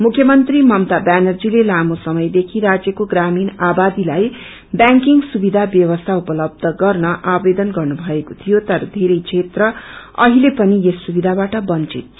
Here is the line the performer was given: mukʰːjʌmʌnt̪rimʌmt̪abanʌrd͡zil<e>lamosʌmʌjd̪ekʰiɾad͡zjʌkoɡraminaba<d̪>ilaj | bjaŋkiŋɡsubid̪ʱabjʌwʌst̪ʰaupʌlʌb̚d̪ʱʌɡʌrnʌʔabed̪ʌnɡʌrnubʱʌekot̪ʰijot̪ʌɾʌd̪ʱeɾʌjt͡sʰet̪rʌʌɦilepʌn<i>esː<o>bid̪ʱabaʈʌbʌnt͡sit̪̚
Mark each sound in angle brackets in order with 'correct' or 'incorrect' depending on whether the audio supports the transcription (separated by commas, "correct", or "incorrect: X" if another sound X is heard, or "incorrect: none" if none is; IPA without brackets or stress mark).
correct, correct, correct, incorrect: u